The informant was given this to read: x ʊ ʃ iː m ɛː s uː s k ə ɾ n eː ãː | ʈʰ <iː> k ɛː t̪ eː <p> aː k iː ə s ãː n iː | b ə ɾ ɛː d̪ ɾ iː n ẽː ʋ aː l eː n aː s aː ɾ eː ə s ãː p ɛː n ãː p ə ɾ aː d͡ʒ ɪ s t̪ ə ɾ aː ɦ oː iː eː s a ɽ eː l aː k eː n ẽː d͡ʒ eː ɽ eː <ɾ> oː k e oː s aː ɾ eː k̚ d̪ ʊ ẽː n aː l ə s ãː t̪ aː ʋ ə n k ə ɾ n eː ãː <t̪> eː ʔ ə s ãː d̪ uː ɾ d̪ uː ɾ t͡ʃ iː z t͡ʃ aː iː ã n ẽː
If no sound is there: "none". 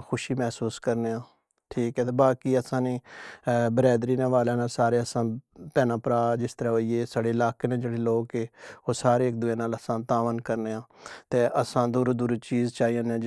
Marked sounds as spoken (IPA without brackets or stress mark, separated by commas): iː, b, l, t̪